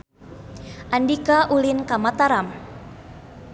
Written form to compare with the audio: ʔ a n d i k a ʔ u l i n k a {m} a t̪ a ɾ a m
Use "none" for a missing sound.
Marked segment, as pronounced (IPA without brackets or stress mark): m